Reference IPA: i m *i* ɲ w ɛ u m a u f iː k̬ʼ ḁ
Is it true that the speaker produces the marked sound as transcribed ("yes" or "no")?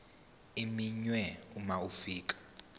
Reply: yes